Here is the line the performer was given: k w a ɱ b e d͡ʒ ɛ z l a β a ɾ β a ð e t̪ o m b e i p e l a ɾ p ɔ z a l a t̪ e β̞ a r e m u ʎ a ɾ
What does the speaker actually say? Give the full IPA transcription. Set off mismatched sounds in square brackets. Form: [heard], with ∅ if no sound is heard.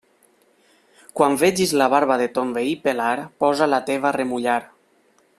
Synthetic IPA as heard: k w a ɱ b e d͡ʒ [i] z l a β a ɾ β a ð e t̪ o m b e i p e l a ɾ p ɔ z a l a t̪ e β̞ a r e m u ʎ a ɾ